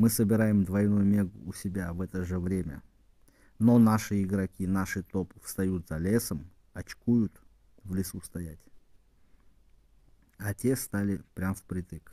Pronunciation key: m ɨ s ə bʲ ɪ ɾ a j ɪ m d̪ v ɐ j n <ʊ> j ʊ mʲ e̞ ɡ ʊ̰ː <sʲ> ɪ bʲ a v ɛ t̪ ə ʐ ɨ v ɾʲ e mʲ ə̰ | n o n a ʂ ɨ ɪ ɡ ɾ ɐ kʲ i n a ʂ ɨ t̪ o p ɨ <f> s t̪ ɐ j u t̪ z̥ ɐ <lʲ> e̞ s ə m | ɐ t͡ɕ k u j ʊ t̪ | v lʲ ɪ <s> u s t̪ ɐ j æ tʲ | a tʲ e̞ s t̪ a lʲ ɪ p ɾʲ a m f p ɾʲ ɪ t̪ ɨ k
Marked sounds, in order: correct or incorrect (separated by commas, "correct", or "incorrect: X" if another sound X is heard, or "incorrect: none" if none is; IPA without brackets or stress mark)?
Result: incorrect: u, correct, correct, correct, correct